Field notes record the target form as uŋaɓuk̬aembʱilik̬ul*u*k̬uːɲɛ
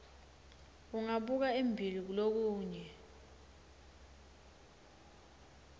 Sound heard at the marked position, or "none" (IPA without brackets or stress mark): o